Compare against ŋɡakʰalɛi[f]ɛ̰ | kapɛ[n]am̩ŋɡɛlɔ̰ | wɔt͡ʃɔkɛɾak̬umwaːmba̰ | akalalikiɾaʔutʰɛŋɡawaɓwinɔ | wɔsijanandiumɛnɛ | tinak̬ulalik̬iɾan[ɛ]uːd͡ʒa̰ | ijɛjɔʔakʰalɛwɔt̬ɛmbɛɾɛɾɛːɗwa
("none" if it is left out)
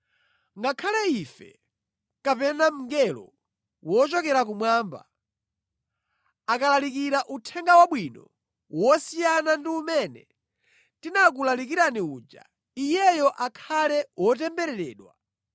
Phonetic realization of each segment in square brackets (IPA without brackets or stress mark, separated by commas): f, n, i